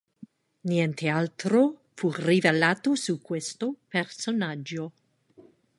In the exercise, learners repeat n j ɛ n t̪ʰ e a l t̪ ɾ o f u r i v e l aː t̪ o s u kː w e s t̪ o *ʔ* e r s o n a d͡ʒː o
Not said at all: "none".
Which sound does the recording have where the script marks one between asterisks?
p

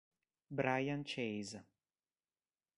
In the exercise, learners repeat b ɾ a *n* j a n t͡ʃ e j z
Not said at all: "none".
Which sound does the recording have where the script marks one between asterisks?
none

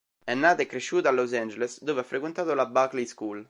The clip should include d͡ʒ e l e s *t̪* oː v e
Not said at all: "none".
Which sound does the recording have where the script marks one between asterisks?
d̪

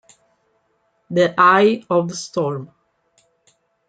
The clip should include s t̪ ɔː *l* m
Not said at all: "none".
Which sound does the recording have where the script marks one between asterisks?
ɹ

